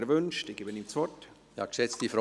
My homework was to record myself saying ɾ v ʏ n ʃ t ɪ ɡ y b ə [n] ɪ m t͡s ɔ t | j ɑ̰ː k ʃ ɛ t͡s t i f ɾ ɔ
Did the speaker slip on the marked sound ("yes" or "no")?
no